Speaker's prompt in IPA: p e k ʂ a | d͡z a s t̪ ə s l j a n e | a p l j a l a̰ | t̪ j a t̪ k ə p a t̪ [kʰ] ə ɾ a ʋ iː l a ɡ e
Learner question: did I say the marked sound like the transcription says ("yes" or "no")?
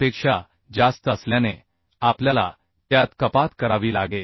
no